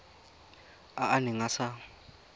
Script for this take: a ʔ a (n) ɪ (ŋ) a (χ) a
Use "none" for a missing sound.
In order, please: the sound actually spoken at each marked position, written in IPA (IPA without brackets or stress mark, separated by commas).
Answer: n, ŋ, s